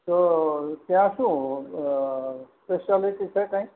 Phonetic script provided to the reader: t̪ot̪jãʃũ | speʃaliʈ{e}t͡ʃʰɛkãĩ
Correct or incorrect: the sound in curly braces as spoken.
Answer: incorrect: i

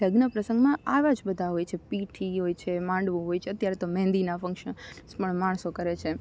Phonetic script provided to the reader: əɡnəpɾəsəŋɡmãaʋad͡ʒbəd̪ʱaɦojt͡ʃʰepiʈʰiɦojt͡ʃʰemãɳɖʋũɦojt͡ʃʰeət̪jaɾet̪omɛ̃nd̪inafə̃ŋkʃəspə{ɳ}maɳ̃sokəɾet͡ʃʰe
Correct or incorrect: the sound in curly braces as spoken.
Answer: correct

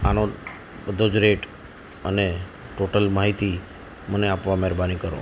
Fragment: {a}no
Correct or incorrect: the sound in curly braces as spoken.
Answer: correct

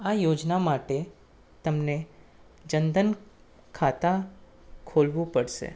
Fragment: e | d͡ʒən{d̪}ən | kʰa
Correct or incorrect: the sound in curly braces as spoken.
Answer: correct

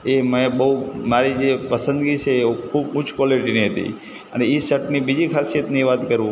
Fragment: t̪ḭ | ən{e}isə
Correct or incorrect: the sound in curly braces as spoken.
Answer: correct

